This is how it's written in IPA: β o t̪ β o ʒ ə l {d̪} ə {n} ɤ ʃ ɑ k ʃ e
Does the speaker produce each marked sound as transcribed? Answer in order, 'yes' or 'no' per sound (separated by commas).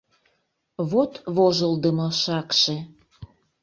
yes, no